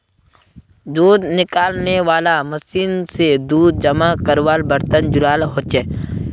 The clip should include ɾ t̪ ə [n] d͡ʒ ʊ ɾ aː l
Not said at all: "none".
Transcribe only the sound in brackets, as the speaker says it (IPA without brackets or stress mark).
n